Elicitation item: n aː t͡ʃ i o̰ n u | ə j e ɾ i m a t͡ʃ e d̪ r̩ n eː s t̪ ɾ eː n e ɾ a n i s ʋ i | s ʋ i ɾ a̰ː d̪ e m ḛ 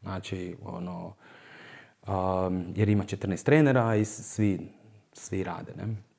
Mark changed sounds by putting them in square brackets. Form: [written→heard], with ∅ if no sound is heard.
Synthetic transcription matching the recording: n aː t͡ʃ i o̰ n [u→o] | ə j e ɾ i m a t͡ʃ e [d̪→t̪] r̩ n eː s t̪ ɾ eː n e ɾ a [n→∅] i s ʋ i | s ʋ i ɾ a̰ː d̪ e [m→n] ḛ